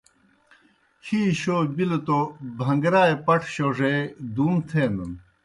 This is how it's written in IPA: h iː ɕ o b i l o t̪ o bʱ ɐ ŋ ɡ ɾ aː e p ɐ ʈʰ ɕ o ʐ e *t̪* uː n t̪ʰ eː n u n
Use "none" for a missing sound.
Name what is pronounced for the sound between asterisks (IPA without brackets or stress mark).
d̪